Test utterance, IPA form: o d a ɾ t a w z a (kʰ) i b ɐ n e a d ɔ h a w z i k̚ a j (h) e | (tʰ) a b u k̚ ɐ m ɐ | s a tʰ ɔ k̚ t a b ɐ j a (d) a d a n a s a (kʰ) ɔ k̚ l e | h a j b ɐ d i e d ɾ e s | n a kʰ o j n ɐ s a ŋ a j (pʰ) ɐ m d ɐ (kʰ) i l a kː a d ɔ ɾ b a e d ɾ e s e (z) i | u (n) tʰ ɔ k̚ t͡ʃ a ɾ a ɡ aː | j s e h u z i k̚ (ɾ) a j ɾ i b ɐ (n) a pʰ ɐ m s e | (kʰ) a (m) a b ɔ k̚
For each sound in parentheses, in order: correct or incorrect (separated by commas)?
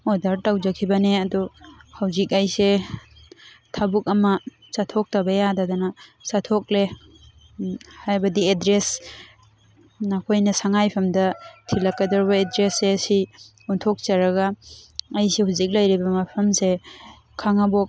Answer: correct, incorrect, correct, correct, incorrect, correct, incorrect, incorrect, correct, incorrect, incorrect, correct, incorrect